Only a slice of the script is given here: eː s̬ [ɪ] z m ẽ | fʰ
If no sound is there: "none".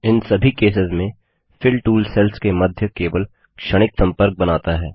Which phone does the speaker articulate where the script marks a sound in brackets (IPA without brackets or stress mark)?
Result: ɪ